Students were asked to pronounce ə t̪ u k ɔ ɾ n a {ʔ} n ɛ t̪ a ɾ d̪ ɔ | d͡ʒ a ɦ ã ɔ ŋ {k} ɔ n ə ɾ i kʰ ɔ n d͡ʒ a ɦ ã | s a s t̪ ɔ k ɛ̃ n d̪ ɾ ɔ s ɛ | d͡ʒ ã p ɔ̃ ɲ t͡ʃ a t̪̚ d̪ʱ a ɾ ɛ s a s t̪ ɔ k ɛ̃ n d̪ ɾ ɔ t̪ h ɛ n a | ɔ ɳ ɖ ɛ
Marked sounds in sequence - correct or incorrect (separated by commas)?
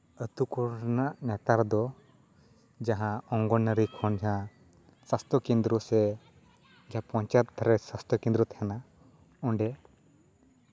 correct, incorrect